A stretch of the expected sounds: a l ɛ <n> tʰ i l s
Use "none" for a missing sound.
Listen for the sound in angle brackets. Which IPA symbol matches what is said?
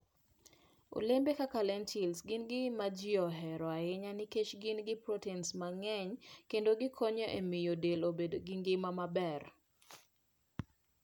n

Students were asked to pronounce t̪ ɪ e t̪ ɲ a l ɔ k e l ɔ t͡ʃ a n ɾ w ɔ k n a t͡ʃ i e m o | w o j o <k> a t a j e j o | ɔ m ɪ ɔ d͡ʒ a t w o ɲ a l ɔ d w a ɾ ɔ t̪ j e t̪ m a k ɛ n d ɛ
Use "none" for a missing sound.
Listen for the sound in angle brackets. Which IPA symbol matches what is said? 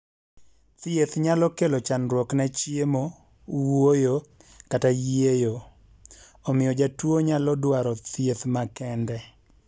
k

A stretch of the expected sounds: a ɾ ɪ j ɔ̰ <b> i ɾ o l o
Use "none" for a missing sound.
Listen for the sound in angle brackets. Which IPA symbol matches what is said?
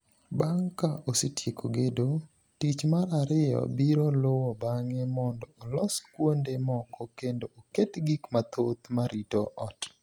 b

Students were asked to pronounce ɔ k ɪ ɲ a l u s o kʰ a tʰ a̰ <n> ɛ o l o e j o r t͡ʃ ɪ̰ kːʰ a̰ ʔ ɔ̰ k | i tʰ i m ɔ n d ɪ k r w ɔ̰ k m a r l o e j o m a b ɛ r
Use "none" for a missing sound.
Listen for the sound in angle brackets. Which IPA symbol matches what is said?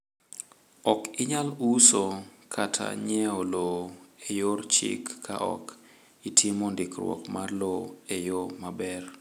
ɲ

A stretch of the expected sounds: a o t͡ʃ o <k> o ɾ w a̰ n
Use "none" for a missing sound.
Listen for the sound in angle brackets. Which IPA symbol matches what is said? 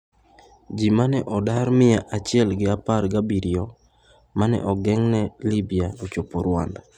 p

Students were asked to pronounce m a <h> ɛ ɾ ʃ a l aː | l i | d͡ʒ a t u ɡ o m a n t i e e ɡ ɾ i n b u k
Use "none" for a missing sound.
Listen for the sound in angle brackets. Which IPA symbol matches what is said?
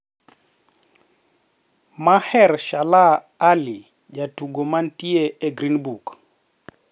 h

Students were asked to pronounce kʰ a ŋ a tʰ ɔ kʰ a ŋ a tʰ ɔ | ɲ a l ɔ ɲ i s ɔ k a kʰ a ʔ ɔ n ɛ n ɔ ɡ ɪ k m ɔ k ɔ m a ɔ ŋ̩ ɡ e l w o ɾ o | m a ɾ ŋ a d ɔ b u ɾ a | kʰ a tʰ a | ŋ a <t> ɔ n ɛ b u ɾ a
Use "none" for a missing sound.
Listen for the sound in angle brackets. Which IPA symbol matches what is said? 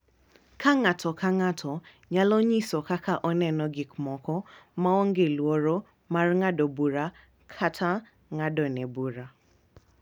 d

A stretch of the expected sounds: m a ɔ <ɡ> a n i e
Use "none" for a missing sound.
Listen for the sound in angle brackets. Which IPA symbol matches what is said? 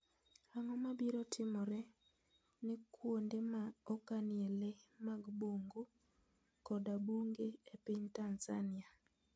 k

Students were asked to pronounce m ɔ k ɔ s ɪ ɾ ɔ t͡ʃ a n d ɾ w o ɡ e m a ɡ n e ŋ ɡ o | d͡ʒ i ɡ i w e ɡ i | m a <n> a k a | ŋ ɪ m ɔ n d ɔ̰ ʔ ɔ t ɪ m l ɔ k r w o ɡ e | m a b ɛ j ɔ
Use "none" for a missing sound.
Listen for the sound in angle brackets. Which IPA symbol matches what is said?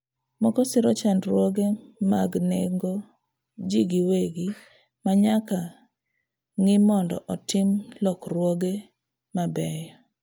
ɲ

